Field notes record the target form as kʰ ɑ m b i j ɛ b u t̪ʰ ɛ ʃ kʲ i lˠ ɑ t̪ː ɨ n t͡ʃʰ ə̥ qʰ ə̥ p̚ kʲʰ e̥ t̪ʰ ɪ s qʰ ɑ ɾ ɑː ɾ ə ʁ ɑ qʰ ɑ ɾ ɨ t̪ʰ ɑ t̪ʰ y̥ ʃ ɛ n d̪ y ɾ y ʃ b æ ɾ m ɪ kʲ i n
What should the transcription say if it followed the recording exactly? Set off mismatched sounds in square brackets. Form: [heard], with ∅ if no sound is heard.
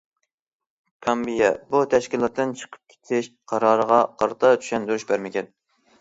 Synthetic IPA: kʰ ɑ m b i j ɛ b u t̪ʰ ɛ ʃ kʲ i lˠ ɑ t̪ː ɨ n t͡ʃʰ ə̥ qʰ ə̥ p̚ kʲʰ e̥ t̪ʰ ɪ [ʃ] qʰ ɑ ɾ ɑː ɾ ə ʁ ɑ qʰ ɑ ɾ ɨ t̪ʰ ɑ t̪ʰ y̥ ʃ ɛ n d̪ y ɾ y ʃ b æ ɾ m ɪ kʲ [ɛ] n